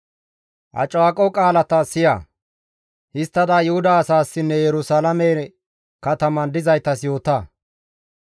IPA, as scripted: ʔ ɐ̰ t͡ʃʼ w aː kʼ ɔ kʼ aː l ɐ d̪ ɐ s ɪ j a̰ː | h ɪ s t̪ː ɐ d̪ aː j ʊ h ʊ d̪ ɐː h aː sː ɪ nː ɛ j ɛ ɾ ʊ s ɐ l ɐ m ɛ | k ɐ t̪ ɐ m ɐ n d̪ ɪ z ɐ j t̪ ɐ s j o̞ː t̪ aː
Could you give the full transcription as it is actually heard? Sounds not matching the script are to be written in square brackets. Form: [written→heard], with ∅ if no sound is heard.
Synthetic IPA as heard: ʔ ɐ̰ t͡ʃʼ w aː kʼ ɔ kʼ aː l ɐ [d̪→t̪] ɐ s ɪ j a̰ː | h ɪ s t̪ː ɐ d̪ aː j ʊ h ʊ d̪ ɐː [h→s] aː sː ɪ nː ɛ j ɛ ɾ ʊ s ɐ l ɐ m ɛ | k ɐ t̪ ɐ m ɐ n d̪ ɪ z ɐ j t̪ ɐ s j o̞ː t̪ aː